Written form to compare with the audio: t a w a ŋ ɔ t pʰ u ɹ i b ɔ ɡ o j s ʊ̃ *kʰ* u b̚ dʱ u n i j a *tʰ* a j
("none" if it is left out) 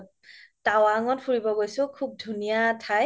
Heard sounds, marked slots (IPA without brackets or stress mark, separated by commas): kʰ, tʰ